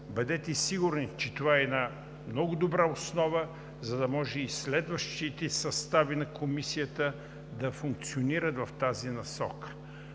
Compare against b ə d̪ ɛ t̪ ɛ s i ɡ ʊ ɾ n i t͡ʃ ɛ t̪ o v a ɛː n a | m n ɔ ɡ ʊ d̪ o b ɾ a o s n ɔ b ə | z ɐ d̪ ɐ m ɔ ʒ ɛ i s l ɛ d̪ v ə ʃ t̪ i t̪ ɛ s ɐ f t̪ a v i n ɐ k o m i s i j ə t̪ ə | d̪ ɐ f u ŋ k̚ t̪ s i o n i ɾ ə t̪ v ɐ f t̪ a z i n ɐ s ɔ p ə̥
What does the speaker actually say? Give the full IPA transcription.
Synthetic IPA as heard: b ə d̪ ɛ t̪ ɛ s i ɡ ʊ ɾ n i t͡ʃ ɛ t̪ o v a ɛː n a | m n ɔ ɡ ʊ d̪ o b ɾ a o s n ɔ v ə | z ɐ d̪ ɐ m ɔ ʒ ɛ i s l ɛ d̪ v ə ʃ t̪ i t̪ ɛ s ɐ s t̪ a v i n ɐ k o m i s i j ə t̪ ə | d̪ ɐ f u ŋ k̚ t̪ s i o n i ɾ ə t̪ v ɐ f t̪ a z i n ɐ s ɔ k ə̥